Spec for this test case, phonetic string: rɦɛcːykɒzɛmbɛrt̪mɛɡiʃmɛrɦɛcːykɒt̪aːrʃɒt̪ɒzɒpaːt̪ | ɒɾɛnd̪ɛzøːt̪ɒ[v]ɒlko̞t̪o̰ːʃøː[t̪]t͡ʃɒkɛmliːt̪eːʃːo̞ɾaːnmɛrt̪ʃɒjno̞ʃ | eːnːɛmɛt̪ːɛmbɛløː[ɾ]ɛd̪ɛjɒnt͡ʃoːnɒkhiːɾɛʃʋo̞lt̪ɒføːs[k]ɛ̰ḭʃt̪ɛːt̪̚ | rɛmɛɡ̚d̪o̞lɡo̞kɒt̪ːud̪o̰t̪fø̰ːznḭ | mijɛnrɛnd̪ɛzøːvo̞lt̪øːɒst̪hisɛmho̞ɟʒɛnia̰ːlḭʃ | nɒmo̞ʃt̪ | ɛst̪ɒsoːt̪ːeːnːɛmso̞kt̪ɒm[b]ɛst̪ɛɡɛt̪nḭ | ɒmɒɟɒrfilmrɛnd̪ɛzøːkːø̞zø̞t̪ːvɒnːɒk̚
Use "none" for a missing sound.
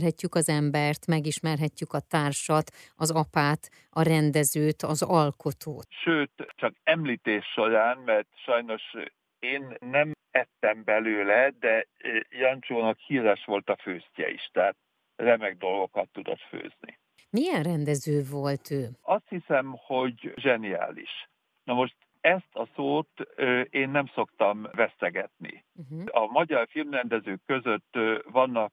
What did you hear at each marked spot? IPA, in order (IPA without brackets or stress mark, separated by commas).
z, t̪, l, c, v